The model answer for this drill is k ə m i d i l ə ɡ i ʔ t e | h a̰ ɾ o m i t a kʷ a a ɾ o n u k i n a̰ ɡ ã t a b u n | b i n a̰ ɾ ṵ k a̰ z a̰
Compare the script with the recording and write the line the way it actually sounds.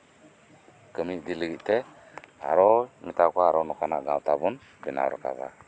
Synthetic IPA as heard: k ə m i d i l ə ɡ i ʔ t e | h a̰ ɾ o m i t a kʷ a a ɾ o n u k a n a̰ ɡ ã t a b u n | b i n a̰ ɾ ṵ k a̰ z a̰